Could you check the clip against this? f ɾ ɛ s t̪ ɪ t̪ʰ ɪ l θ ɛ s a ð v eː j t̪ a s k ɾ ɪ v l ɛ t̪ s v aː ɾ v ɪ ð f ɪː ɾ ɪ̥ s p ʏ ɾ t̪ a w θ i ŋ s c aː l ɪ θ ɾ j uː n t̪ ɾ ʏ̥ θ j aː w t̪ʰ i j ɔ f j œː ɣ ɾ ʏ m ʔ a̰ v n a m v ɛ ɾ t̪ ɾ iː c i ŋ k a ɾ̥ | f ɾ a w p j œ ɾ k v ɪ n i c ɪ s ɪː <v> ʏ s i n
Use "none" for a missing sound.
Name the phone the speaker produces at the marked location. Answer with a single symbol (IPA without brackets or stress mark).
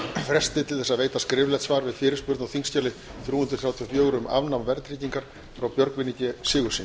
ɣ